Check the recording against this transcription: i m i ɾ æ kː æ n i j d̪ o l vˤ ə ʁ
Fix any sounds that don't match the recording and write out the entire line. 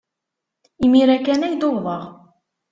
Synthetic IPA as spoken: i m i ɾ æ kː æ n æ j d̪ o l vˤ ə ʁ